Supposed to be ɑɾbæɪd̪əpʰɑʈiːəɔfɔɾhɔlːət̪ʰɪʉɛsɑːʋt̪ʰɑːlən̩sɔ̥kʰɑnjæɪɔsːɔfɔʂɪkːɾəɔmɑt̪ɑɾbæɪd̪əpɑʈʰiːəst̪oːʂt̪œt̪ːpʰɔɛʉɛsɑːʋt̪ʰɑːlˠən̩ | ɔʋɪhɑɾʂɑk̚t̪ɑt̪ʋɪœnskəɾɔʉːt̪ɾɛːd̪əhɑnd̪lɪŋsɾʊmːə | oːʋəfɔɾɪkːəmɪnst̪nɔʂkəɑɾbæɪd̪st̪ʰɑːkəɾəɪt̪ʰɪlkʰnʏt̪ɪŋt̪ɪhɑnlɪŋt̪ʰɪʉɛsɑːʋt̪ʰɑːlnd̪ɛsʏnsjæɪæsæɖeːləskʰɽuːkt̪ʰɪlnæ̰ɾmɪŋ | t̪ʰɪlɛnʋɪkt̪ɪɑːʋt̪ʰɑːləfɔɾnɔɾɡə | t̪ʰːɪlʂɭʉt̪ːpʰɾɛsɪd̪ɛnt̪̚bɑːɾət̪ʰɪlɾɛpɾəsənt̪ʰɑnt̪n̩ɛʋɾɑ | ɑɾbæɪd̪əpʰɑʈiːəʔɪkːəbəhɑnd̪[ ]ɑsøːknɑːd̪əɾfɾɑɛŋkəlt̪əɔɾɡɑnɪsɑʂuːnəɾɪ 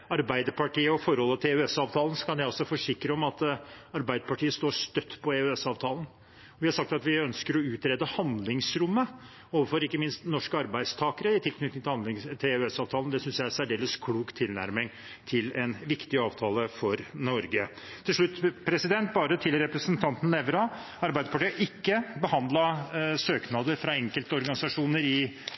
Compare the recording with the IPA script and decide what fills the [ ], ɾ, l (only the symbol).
l